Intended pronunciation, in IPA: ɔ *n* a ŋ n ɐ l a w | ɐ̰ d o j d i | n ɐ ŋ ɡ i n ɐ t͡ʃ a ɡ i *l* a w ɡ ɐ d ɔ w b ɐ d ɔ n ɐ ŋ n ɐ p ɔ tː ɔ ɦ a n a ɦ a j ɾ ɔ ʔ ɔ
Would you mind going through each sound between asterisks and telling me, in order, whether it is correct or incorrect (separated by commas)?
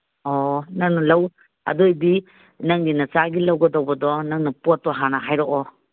correct, correct